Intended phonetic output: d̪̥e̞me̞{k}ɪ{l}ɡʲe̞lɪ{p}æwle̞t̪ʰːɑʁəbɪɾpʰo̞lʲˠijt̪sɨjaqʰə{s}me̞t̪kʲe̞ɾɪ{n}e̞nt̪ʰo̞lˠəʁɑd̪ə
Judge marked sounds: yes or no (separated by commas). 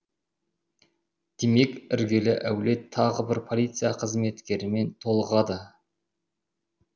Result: yes, no, no, no, no